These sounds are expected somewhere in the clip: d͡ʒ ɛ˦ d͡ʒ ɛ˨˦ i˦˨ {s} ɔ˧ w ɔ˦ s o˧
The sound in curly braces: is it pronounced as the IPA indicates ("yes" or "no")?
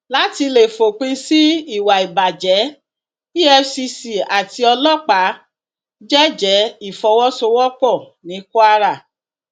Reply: no